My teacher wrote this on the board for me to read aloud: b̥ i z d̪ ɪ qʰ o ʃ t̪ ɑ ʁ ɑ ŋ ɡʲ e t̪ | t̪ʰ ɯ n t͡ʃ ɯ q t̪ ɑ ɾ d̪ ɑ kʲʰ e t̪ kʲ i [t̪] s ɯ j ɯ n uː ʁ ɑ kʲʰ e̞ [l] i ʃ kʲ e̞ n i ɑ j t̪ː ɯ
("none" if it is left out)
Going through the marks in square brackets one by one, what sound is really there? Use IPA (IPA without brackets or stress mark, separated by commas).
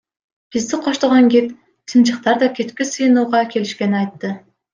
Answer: none, l